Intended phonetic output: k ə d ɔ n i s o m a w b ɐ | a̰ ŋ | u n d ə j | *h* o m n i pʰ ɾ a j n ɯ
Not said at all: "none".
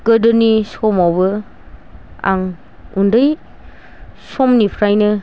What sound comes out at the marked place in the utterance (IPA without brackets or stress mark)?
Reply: s